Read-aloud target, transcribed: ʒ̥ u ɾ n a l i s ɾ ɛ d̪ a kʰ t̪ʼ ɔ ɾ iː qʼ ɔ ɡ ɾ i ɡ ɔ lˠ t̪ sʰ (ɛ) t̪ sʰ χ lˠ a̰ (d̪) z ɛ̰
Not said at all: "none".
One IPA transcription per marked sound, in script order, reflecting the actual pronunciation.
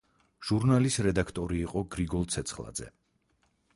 ɛ, d̪

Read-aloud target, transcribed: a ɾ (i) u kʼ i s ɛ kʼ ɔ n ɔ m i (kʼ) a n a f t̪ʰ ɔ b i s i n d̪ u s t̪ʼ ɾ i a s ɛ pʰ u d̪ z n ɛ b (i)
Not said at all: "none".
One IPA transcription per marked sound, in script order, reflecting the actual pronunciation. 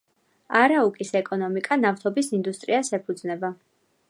a, kʼ, a

